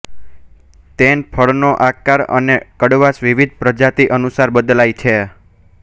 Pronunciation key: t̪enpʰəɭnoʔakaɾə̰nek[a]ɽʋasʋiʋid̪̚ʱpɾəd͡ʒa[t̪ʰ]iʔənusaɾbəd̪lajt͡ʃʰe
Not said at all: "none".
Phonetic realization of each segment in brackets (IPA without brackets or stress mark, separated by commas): ə, t̪